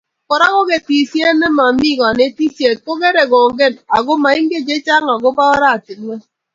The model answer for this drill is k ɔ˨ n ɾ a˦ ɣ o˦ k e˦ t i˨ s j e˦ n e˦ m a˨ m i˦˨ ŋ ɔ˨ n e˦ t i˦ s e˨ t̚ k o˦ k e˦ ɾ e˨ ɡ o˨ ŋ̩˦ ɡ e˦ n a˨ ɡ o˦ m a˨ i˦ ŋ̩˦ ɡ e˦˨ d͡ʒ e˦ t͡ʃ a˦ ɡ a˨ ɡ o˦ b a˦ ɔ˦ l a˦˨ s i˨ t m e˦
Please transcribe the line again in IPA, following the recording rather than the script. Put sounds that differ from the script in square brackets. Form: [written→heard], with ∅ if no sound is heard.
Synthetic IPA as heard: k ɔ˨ [n→∅] ɾ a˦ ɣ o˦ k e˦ t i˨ s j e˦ n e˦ m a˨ m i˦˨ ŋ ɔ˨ n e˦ t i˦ s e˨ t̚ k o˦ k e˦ ɾ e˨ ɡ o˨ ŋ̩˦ ɡ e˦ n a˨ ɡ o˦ m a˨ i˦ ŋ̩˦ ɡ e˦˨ d͡ʒ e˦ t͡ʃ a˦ [ɡ→ŋ] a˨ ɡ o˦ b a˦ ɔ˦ [l→ɾ] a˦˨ [s→t] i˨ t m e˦